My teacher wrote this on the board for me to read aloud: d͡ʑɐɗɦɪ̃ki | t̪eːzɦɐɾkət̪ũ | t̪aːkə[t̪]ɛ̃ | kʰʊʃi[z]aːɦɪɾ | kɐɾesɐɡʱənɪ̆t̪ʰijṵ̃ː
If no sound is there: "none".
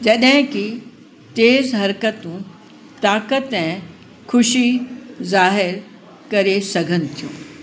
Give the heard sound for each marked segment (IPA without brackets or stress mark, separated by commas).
t̪, z